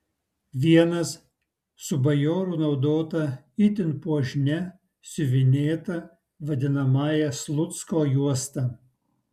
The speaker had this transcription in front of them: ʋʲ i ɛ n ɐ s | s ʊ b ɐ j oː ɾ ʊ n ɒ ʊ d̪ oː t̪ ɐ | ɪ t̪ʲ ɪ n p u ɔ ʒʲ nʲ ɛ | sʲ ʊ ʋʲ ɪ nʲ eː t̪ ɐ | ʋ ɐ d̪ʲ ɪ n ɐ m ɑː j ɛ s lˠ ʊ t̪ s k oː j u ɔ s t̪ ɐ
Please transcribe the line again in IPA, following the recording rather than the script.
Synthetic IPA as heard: ʋʲ i ɛ n ɐ s | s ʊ b ɐ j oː ɾ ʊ n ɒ ʊ d̪ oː t̪ ɐ | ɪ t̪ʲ ɪ n p u ɔ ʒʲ nʲ ɛ | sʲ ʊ ʋʲ ɪ nʲ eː t̪ ɐ | ʋ ɐ d̪ʲ ɪ n ɐ m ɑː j ɛ s lˠ ʊ t̪ s k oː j u ɔ s t̪ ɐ